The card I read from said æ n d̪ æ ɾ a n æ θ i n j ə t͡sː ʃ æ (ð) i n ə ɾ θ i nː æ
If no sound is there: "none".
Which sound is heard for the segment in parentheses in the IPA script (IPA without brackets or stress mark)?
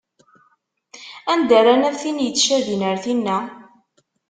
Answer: ð